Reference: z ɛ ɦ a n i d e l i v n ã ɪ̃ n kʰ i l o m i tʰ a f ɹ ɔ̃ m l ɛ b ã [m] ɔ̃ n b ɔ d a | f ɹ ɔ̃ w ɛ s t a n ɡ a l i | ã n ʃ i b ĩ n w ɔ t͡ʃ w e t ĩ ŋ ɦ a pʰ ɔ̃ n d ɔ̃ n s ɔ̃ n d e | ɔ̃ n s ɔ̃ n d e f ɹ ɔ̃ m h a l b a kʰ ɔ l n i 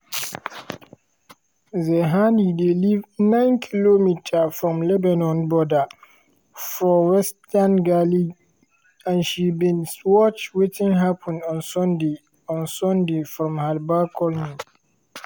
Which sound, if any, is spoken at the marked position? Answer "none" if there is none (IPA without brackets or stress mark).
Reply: n